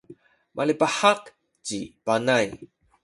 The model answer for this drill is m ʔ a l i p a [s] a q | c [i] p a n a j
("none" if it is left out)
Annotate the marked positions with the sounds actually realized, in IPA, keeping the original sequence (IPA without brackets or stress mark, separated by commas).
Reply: ħ, i